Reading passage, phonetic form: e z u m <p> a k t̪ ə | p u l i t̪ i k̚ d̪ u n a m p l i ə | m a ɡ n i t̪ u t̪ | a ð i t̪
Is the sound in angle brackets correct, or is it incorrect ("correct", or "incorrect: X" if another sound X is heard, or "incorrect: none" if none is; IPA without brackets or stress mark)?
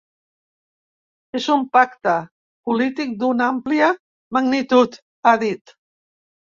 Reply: correct